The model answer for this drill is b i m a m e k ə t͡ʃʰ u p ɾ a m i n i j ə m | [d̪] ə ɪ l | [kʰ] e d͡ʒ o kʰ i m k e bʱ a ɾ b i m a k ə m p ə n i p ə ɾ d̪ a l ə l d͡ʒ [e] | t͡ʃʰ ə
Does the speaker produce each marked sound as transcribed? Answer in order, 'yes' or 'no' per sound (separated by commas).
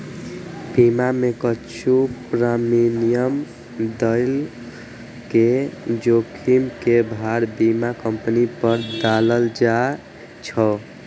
yes, no, no